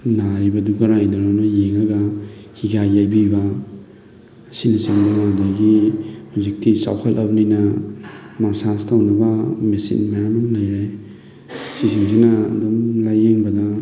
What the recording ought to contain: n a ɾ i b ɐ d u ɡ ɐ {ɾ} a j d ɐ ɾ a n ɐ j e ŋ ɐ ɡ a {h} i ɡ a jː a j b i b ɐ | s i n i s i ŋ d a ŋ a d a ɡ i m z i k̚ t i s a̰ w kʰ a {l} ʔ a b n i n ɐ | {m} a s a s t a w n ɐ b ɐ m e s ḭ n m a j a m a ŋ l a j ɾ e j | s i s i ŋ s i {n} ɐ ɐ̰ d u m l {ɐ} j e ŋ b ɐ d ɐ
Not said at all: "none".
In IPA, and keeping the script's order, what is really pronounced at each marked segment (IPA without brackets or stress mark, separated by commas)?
ɾ, h, l, m, n, a